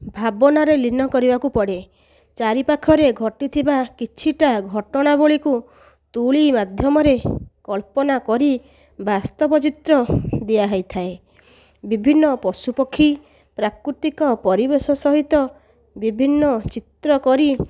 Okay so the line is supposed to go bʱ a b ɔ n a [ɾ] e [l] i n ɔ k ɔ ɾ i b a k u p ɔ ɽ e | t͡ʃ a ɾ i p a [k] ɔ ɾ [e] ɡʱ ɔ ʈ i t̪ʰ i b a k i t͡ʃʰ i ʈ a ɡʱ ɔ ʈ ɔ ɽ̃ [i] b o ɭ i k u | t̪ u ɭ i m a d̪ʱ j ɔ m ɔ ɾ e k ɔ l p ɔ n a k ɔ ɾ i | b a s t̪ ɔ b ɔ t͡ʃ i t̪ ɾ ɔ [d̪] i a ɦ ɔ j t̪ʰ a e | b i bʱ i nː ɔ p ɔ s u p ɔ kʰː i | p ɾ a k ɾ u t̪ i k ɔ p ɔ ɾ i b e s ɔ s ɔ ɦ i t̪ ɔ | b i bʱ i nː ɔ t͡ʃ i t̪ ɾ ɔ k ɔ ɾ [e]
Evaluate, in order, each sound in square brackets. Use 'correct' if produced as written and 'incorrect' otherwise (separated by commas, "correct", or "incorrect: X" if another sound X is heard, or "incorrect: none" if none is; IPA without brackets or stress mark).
correct, correct, incorrect: kʰ, correct, incorrect: a, correct, incorrect: i